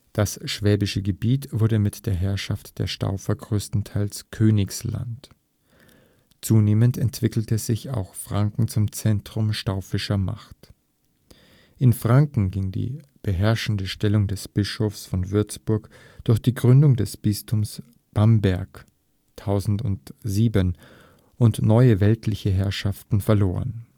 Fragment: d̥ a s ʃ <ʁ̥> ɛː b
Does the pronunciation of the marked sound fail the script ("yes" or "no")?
yes